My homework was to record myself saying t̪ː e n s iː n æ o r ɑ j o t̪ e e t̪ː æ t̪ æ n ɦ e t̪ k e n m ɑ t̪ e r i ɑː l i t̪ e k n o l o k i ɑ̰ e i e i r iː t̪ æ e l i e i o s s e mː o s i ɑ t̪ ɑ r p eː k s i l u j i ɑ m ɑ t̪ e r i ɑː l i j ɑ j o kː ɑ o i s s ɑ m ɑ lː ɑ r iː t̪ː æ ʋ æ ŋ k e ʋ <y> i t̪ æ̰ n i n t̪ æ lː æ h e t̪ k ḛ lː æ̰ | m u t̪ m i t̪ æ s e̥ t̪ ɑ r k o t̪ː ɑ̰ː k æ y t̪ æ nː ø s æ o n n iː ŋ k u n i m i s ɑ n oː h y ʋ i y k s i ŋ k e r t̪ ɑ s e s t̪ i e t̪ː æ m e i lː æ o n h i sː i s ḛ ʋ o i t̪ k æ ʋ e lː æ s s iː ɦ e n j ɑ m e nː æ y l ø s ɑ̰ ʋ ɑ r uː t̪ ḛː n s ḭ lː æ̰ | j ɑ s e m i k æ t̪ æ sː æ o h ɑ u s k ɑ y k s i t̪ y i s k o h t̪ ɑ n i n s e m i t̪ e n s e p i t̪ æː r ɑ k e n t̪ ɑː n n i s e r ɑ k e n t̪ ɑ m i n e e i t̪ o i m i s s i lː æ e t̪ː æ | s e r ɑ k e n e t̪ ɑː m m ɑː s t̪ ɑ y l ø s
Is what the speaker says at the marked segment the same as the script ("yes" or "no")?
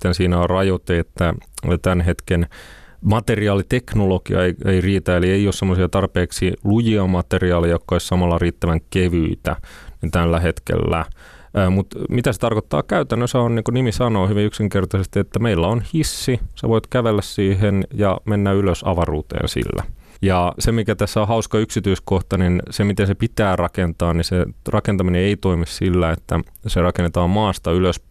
yes